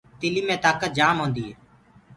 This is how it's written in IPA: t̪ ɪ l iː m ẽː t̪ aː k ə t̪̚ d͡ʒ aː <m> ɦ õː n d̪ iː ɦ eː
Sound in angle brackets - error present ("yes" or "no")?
no